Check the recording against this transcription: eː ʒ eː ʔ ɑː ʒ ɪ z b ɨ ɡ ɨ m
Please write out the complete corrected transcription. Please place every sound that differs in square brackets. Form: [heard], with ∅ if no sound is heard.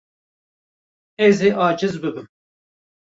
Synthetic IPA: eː [z] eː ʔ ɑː [d͡ʒ] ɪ z b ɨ [b] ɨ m